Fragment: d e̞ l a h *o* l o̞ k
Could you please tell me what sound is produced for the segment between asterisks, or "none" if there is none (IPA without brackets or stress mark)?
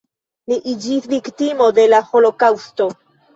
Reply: o